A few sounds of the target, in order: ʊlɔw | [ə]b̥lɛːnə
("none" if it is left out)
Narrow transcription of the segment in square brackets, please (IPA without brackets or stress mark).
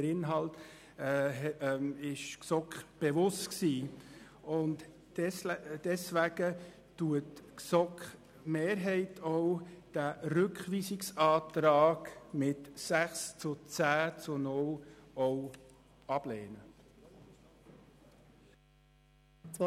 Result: ɑ